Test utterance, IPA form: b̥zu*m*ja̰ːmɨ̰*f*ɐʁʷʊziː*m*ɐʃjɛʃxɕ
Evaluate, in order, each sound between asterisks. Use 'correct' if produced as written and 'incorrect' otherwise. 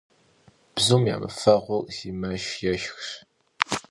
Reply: correct, correct, correct

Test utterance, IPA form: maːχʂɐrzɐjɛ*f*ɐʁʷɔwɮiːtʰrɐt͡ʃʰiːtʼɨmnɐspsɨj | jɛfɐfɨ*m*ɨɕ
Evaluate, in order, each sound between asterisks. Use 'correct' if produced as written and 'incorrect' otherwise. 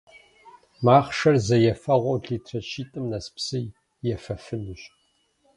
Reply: correct, incorrect: n

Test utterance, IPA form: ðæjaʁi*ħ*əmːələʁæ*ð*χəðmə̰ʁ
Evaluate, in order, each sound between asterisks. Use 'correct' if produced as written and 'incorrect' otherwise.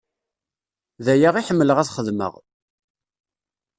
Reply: correct, incorrect: θ

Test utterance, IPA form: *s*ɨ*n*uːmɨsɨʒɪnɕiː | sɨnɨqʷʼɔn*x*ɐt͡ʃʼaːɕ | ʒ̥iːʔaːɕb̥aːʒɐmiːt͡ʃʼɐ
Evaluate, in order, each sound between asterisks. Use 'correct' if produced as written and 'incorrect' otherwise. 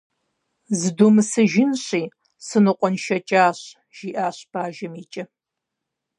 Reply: incorrect: z, incorrect: d, incorrect: ʃ

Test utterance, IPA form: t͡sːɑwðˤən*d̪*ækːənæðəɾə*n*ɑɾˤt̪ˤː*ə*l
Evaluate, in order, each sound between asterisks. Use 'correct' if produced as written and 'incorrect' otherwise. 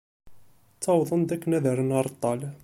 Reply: correct, correct, incorrect: ɑ

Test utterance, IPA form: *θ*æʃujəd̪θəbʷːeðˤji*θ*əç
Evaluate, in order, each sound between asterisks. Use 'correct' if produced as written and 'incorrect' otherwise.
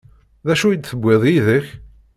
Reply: incorrect: ð, incorrect: ð

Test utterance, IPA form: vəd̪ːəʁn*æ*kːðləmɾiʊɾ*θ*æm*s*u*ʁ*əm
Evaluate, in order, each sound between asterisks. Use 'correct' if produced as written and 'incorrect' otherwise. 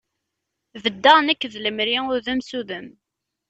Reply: correct, incorrect: ð, correct, incorrect: ð

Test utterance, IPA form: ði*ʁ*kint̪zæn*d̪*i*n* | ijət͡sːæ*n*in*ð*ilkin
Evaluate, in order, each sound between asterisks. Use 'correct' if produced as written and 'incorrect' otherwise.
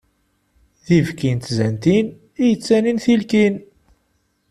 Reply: incorrect: v, incorrect: t̪, correct, correct, incorrect: θ

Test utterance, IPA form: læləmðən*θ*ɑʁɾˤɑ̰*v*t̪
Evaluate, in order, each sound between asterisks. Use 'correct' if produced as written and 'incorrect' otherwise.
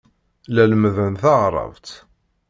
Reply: correct, correct

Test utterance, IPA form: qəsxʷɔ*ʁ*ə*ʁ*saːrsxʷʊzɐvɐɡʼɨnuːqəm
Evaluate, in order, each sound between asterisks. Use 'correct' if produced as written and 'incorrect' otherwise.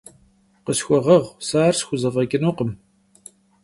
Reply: correct, correct

